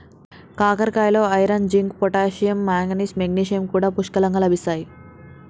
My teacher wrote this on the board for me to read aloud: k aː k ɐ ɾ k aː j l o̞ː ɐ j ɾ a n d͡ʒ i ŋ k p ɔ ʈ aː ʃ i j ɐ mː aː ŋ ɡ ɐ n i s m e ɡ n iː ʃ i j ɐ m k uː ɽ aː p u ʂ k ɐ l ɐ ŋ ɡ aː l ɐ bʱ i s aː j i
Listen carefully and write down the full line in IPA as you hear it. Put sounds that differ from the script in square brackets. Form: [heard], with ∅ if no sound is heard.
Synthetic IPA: k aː k ɐ ɾ k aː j l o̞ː ɐ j ɾ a n d͡ʒ i ŋ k p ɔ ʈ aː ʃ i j ɐ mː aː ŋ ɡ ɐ n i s m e ɡ n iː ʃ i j ɐ m k uː ɽ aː p u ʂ k ɐ l ɐ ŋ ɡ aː l ɐ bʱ i s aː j i